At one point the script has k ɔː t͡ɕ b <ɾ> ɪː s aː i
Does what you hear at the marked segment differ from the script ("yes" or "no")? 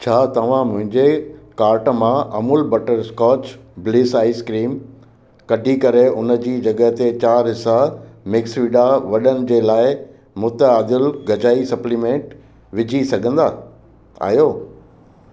yes